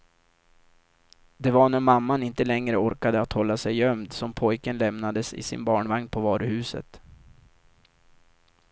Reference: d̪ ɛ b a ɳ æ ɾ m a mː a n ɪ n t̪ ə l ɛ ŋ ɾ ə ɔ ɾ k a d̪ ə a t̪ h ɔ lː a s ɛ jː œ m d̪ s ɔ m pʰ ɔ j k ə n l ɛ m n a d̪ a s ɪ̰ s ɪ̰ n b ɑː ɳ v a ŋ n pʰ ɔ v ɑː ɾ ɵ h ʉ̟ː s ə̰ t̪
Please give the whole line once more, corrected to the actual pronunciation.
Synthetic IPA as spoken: d̪ ɛ v a ɳ æ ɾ m a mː a n ɪ n t̪ ə l ɛ ŋ ɾ ə ɔ ɾ k a d̪ ə a t̪ h ɔ lː a s ɛ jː œ m d̪ s ɔ m pʰ ɔ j k ə n l ɛ m n a d̪ ə s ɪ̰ s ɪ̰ n b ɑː ɳ v a ŋ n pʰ ɔ v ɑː ɾ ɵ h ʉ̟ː s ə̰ t̪